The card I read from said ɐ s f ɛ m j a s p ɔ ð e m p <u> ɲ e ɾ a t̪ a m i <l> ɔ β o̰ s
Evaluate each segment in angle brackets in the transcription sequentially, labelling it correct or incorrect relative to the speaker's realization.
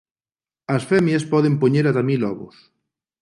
incorrect: o, correct

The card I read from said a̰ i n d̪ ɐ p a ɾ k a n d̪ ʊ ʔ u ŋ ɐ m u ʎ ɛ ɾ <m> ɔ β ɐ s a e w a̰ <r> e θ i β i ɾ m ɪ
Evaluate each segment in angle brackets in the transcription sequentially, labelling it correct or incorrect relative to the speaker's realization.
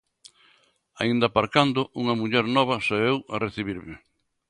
incorrect: n, correct

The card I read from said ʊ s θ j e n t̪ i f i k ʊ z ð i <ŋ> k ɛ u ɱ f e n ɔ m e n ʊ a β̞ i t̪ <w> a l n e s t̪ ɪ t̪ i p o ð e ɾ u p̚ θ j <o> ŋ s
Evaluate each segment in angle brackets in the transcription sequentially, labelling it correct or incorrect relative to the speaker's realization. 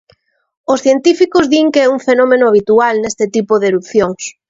correct, incorrect: u, correct

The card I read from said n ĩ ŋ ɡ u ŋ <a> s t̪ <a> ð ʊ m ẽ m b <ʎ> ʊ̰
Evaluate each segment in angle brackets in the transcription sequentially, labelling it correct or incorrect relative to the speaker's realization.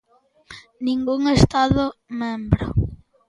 incorrect: e, correct, incorrect: ɾ

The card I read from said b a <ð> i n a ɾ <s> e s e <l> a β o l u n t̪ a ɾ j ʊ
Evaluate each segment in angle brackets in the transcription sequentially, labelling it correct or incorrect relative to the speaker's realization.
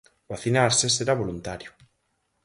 incorrect: θ, correct, incorrect: ɾ

